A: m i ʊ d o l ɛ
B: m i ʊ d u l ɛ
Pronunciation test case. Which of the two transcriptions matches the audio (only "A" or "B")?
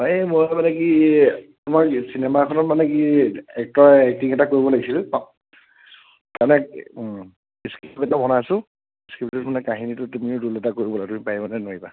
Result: B